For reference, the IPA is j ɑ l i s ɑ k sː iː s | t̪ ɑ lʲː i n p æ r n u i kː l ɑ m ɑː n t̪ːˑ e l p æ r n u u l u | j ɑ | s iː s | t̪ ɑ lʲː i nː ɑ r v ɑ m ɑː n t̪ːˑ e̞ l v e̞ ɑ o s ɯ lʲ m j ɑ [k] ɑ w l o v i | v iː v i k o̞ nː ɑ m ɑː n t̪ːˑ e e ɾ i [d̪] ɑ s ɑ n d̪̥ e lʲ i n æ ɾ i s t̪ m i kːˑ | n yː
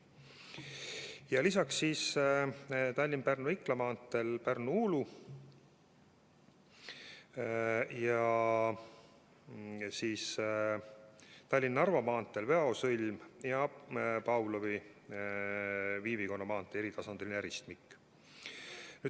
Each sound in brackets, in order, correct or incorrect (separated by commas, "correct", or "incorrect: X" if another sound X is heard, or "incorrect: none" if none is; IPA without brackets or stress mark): incorrect: p, incorrect: t̪